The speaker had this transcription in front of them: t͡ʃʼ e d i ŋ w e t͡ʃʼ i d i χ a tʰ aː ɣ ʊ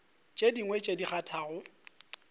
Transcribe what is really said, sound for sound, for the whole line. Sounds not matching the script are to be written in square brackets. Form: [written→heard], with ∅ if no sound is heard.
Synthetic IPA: t͡ʃʼ e d i ŋ w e t͡ʃʼ [i→e] d i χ a tʰ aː ɣ ʊ